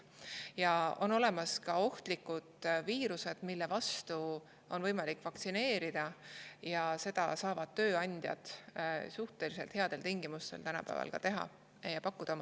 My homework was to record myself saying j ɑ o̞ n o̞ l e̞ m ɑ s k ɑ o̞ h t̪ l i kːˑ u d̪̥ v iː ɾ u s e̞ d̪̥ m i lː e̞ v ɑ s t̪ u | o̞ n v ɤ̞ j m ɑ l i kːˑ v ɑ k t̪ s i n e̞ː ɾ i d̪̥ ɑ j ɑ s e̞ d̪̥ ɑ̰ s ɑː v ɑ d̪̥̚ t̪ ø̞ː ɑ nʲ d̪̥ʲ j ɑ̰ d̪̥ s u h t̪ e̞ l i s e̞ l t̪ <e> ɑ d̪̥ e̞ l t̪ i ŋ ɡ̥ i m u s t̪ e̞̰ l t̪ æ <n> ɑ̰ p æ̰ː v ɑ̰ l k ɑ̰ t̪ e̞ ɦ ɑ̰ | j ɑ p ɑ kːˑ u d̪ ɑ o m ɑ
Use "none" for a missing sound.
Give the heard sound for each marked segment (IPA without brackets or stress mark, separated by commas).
e, n